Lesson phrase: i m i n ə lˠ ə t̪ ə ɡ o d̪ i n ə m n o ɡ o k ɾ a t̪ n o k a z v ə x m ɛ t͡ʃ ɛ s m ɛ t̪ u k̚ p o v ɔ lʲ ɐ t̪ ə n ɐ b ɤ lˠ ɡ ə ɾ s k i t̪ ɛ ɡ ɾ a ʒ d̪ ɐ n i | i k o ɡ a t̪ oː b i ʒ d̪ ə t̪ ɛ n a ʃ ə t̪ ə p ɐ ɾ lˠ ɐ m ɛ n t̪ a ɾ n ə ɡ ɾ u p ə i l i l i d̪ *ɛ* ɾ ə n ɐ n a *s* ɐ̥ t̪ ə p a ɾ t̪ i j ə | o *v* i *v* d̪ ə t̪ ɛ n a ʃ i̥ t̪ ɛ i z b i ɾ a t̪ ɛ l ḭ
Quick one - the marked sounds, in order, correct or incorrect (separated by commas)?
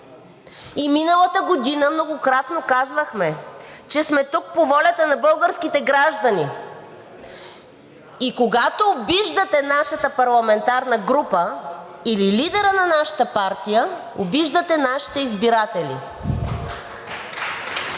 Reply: correct, incorrect, incorrect, incorrect